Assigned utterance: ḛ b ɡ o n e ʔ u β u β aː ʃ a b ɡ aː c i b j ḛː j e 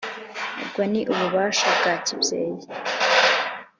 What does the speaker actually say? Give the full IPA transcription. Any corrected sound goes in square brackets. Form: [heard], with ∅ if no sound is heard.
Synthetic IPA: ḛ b ɡ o n [i] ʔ u β u β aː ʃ a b ɡ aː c i b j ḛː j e